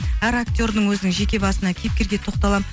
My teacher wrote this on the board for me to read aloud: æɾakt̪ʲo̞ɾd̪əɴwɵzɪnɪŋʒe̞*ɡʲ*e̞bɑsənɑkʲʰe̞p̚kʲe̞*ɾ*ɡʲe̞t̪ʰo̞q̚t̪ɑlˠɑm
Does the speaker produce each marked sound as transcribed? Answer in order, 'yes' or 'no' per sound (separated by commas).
no, yes